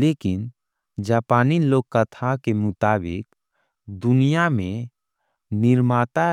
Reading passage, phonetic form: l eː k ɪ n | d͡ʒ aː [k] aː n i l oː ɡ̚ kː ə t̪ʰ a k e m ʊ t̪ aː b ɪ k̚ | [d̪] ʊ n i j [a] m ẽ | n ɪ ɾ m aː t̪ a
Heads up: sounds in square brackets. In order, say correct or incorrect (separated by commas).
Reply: incorrect, correct, correct